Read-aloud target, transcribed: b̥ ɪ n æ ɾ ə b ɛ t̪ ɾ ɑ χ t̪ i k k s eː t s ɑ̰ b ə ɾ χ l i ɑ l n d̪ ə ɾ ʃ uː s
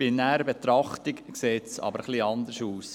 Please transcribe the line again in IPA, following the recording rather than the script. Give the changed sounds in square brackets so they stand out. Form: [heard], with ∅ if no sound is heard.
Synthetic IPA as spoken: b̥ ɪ n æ ɾ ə b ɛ t̪ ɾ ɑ χ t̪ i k k s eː t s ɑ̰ b ə ɾ χ l i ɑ [∅] n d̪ ə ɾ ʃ uː s